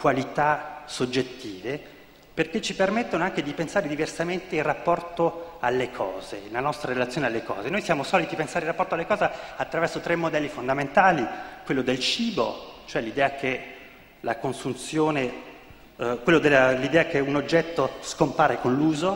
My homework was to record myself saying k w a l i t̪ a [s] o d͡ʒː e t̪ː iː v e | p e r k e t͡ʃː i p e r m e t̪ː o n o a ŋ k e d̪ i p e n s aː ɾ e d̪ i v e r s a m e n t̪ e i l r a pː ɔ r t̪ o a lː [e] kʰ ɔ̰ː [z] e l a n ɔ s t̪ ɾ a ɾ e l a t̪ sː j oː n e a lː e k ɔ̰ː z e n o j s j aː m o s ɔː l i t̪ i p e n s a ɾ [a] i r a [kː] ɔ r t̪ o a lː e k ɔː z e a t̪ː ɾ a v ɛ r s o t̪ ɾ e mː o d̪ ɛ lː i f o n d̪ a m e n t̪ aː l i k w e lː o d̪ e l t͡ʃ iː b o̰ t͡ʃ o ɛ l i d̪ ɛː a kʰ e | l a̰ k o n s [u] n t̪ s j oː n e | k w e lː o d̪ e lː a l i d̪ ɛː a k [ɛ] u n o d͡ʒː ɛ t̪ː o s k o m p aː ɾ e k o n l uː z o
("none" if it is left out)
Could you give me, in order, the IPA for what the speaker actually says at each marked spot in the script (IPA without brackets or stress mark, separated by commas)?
s, e, z, e, pː, u, e